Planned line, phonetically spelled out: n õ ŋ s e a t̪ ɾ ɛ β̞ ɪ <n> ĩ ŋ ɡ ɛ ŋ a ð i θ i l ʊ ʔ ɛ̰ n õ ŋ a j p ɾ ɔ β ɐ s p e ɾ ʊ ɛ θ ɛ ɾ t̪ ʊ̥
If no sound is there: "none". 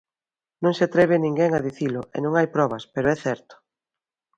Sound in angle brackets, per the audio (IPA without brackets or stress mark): n